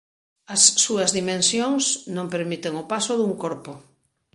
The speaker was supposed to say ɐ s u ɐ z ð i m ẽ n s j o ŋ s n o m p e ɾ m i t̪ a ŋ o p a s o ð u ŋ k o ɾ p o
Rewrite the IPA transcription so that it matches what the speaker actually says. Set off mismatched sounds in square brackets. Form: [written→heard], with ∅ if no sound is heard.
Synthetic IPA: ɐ [s→sː] u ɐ z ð i m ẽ n s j o ŋ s n [o→õ] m p e ɾ m i t̪ [a→e] ŋ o p a s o ð u ŋ k o ɾ p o